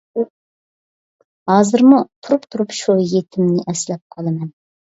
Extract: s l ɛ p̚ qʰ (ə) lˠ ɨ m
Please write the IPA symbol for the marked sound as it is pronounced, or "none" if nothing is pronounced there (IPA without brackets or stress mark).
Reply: ɑ